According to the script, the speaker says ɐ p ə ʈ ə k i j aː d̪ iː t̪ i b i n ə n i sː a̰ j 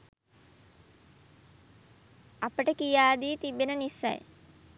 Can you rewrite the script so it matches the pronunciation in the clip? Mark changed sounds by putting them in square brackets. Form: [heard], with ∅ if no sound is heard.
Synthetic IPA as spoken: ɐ p ə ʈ ə k i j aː d̪ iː t̪ i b [e] n ə n i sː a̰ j